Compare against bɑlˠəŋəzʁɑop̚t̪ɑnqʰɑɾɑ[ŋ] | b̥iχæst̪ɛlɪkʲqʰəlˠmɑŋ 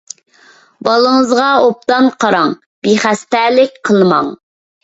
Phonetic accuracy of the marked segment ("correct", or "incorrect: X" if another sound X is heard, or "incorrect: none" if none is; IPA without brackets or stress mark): correct